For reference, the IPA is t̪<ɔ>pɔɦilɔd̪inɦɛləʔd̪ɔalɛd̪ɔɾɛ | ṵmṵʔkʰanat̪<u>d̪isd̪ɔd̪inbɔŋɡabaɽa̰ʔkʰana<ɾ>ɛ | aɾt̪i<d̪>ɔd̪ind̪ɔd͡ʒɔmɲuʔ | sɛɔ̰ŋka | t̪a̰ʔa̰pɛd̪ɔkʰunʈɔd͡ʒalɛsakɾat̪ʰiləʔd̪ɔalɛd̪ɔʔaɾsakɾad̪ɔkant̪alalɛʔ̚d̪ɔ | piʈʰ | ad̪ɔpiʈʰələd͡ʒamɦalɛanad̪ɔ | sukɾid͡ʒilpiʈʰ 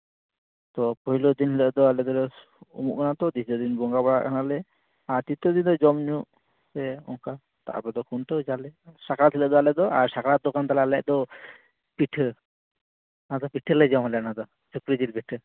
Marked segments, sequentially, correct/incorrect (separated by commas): correct, incorrect, incorrect, incorrect